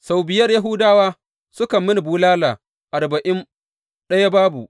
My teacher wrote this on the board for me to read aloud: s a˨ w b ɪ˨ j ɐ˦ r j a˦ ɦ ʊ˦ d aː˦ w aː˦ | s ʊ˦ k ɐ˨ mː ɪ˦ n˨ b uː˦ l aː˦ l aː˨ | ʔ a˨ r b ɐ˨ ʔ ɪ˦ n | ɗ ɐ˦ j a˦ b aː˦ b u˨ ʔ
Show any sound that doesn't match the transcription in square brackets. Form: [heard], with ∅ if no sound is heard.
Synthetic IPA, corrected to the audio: s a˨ w b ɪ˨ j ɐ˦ r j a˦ ɦ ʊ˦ d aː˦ w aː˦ | s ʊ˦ k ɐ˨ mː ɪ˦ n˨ b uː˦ l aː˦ l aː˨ | ʔ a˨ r b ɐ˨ ʔ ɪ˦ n | ɗ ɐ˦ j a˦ b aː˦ b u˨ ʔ